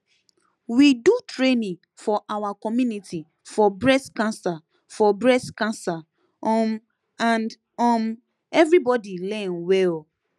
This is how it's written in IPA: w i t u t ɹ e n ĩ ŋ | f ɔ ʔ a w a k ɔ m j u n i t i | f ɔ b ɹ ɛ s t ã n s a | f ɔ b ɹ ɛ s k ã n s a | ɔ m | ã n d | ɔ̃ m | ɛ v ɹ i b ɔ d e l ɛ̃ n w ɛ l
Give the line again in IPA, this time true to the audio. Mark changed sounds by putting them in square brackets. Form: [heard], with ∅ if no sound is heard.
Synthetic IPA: w i [d] u t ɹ e n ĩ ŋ | f ɔ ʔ a w a k ɔ m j u n i t i | f ɔ b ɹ ɛ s [k] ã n s a | f ɔ b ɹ ɛ s k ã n s a | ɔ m | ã n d | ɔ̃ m | ɛ v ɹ i b ɔ d [i] l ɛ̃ n w ɛ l